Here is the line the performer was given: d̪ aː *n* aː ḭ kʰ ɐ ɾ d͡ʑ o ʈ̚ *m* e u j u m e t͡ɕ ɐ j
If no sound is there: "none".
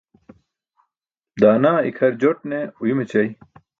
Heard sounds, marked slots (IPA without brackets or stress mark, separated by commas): n, n